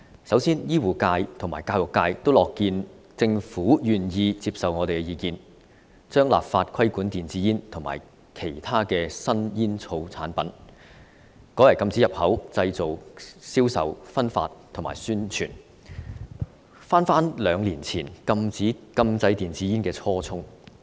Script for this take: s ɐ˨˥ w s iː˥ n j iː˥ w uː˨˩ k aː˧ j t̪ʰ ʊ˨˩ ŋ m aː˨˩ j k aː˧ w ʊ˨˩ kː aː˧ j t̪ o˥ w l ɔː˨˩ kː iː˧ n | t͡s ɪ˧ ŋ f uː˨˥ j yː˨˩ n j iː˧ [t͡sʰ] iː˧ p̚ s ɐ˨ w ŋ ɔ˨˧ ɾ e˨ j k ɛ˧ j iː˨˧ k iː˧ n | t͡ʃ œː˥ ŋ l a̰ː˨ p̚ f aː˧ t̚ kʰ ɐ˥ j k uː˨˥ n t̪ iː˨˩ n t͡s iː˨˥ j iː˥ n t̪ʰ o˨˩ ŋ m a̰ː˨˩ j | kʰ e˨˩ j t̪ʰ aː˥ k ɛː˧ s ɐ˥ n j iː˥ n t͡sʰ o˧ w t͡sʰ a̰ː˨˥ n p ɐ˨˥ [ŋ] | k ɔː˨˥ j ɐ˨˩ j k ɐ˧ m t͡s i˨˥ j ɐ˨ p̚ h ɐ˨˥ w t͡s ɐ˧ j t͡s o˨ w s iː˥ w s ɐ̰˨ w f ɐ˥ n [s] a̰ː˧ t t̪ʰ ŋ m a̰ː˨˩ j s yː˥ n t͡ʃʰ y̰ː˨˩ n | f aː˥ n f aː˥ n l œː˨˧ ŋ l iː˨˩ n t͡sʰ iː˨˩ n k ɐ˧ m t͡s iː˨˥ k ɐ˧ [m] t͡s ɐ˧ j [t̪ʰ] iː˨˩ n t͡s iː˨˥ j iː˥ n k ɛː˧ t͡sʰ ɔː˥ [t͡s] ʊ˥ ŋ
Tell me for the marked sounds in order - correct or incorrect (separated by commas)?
incorrect, incorrect, incorrect, correct, incorrect, incorrect